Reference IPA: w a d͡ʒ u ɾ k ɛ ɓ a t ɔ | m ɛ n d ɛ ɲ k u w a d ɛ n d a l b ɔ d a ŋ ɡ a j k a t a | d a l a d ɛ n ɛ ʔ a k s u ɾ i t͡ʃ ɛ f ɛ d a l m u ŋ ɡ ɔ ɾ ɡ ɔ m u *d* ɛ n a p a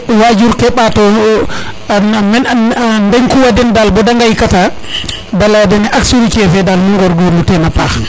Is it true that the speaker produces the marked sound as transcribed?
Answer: no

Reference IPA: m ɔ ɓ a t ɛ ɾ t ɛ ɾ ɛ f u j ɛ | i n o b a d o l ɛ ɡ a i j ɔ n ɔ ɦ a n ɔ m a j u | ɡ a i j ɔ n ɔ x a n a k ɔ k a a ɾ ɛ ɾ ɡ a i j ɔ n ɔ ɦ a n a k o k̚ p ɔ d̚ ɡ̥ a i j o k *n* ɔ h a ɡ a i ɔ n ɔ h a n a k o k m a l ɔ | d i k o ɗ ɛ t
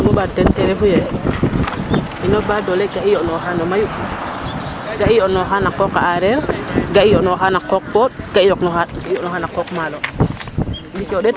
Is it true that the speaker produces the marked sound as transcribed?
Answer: yes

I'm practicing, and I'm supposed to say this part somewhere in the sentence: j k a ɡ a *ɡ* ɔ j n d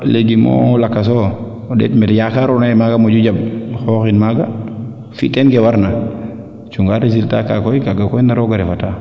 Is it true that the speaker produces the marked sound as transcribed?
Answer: no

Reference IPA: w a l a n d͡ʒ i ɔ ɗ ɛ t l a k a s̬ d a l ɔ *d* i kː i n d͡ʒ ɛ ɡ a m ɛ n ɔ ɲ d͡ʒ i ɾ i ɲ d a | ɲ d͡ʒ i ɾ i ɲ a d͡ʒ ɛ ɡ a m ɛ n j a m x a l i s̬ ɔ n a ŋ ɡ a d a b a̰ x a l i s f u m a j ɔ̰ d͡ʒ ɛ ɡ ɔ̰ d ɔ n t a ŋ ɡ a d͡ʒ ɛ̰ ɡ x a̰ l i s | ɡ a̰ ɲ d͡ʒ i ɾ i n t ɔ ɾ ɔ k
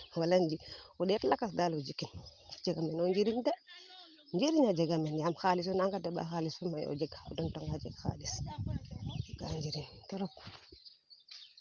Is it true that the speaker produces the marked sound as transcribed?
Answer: no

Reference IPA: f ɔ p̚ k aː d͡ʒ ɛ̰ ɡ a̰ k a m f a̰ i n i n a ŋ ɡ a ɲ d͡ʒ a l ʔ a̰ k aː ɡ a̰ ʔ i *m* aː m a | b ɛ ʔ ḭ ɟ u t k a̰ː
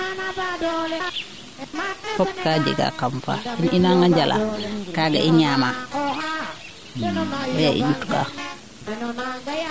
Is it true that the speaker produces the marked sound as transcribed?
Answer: no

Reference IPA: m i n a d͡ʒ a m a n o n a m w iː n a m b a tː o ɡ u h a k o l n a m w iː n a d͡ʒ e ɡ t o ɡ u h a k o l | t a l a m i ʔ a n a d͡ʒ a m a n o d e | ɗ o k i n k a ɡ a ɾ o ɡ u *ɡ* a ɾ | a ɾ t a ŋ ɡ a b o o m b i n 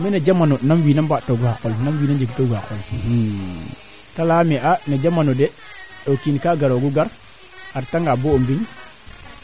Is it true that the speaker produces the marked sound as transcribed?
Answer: yes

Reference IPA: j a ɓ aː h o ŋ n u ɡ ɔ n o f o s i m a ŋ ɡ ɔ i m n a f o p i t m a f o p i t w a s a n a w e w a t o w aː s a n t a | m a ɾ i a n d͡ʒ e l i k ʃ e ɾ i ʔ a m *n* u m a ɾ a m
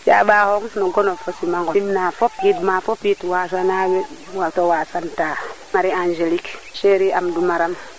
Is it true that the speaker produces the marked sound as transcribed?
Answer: no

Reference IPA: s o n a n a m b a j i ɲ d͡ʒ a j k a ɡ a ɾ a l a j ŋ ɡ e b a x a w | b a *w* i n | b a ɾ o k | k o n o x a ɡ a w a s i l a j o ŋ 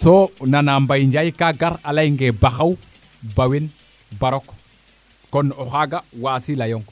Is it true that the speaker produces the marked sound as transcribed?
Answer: yes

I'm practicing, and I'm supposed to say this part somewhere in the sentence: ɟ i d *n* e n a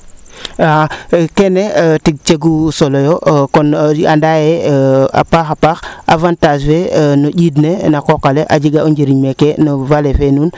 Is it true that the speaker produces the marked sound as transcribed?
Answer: yes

